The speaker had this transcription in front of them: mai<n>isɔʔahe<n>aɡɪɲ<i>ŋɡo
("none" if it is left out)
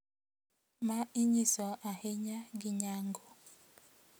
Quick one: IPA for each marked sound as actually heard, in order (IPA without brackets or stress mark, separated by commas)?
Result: ɲ, ɲ, a